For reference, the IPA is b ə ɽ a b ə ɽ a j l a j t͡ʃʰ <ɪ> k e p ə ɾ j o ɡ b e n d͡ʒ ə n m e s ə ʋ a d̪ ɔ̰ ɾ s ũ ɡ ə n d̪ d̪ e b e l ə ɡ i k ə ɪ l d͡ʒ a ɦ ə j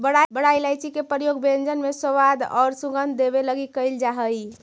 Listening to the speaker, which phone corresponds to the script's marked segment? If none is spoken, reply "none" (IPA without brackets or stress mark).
i